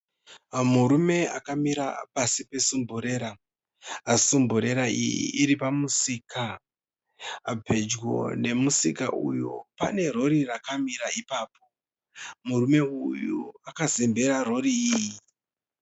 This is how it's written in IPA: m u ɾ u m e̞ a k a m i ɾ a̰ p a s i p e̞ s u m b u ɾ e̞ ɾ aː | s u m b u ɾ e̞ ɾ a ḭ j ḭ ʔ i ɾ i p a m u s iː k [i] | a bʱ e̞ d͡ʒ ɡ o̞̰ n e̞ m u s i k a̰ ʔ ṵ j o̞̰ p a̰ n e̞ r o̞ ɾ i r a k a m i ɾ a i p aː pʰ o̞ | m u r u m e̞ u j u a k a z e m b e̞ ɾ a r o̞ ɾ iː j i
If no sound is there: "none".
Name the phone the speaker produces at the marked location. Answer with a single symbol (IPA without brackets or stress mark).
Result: a